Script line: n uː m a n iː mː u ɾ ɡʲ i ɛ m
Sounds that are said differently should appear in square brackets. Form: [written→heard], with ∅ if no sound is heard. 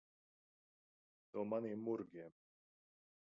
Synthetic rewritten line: n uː m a n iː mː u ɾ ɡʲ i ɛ m